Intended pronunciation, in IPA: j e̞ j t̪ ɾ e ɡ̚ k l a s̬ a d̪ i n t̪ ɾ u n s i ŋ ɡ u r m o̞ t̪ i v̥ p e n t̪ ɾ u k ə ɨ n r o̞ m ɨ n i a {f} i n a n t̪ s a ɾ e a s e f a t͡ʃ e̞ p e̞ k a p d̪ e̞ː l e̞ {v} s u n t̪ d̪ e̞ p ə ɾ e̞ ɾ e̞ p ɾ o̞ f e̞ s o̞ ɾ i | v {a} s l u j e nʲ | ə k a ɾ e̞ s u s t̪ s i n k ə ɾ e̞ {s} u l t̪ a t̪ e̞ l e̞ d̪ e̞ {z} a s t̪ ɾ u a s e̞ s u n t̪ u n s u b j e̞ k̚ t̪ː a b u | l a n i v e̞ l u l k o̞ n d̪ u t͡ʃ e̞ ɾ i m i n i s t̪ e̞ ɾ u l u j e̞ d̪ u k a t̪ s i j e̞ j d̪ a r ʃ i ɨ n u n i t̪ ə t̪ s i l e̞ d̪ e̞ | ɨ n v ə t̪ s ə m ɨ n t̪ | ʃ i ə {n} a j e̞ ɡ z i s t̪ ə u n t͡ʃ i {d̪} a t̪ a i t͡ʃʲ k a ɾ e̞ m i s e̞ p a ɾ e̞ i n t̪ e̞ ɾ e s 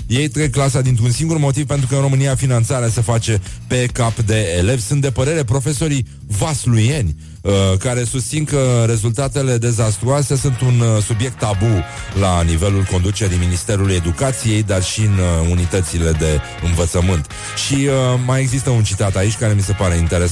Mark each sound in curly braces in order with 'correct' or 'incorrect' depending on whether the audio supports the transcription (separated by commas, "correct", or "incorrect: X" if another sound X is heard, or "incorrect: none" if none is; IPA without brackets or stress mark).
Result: correct, correct, correct, incorrect: z, correct, incorrect: m, incorrect: t̪